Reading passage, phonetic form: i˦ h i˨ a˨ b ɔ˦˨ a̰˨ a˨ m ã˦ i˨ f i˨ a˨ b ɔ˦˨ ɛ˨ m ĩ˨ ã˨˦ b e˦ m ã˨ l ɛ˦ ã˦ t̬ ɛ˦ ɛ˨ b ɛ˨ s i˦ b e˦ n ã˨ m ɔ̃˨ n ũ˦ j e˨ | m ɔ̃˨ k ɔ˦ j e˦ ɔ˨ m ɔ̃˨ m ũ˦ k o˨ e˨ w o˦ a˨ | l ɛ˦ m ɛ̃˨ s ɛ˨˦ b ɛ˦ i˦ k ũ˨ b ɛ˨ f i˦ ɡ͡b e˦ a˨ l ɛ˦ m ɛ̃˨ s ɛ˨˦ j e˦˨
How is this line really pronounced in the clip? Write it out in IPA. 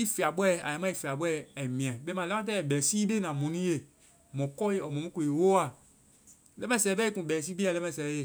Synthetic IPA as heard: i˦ f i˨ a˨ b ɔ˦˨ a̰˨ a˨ m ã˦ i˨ f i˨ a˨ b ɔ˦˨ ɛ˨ m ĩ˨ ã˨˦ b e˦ m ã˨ l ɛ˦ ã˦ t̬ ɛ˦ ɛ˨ b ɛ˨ s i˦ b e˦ n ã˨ m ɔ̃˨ n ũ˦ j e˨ | m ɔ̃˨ k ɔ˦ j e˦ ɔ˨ m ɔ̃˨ m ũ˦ k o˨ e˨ w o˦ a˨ | l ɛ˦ m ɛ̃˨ s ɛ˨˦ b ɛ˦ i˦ k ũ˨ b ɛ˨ s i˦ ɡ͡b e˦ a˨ l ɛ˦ m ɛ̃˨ s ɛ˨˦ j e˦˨